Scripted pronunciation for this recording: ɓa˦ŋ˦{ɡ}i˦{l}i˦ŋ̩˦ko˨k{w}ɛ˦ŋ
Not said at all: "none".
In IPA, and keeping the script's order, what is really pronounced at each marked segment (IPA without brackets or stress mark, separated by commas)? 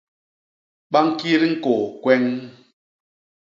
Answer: k, ɾ, w